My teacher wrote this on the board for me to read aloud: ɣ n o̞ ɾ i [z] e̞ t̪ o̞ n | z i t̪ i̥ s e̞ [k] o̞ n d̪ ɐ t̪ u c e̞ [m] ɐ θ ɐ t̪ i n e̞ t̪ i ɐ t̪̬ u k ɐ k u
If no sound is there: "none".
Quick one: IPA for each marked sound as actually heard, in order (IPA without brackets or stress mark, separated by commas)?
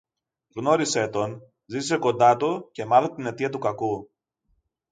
s, k, m